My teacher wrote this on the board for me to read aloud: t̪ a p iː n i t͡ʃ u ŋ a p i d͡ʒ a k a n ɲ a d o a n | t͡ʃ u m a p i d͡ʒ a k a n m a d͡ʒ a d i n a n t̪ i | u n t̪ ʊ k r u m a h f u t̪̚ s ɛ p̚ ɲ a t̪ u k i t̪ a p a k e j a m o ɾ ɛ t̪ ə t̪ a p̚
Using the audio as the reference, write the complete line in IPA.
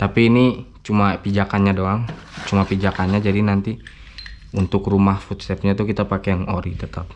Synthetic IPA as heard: t̪ a p iː n i t͡ʃ u m a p i d͡ʒ a k a n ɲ a d o a ŋ | t͡ʃ u m a p i d͡ʒ a k a n ɲ a d͡ʒ a d i n a n t̪ i | u n t̪ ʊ k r u m a h f u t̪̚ s ɛ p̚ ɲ a t̪ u k i t̪ a p a k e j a ŋ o ɾ i t̪ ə t̪ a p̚